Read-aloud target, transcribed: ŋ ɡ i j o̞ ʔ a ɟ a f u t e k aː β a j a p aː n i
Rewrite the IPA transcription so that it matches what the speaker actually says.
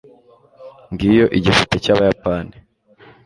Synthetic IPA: ŋ ɡ i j o̞ ʔ i ɟ i f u t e c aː β a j a p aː n i